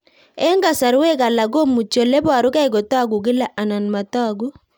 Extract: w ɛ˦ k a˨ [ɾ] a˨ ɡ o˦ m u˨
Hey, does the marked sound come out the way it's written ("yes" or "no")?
no